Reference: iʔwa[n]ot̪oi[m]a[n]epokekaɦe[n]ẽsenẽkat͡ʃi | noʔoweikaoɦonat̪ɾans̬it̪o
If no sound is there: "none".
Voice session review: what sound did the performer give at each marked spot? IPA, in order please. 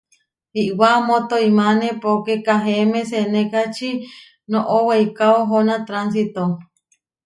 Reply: m, m, n, m

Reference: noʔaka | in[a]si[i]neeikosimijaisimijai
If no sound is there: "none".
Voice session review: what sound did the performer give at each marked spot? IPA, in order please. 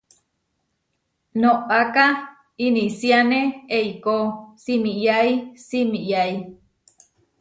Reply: i, a

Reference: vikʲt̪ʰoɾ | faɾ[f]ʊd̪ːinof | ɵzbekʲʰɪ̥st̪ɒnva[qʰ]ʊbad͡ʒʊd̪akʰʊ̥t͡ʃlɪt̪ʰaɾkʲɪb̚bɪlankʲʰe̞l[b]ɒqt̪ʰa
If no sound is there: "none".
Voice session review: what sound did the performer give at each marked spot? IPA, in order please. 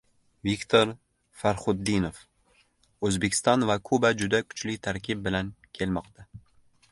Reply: χ, kʰ, m

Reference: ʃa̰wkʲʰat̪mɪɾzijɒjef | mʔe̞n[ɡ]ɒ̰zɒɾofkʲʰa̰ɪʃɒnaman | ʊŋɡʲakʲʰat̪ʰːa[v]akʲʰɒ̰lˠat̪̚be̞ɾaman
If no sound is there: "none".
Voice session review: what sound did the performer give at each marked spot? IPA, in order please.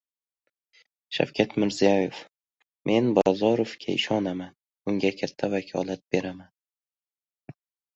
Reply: b, v

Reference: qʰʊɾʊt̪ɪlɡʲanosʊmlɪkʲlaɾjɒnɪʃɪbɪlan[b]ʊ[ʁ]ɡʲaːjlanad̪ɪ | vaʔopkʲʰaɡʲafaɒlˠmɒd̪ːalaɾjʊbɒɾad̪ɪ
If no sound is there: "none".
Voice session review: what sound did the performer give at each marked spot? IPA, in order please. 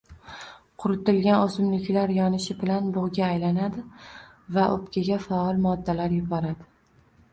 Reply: b, ʁ

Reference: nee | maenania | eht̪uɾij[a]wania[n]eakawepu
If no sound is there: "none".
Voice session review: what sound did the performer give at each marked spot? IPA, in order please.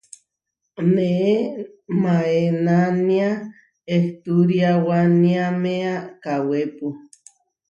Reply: a, m

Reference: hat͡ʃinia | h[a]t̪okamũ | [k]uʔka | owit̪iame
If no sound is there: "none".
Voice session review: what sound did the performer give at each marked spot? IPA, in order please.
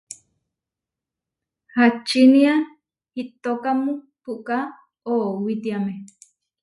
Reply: i, p

